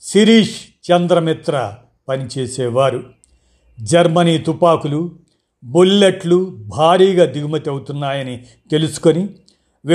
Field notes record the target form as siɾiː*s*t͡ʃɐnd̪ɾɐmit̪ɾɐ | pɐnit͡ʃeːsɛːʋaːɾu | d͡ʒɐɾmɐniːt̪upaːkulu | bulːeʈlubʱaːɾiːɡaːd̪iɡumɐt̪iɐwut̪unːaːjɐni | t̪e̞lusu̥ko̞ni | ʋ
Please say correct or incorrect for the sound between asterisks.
incorrect